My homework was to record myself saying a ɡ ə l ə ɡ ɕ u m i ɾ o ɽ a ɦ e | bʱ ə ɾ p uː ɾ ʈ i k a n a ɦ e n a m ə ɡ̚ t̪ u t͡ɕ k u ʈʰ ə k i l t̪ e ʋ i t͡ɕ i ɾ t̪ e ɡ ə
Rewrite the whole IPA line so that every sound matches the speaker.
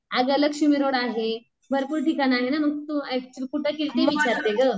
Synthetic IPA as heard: a ɡ ə l ə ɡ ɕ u m i ɾ o ɽ a ɦ e | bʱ ə ɾ p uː ɾ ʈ i k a n a ɦ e n a m ə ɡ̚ t̪ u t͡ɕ k u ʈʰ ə k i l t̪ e ʋ i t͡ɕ a ɾ t̪ e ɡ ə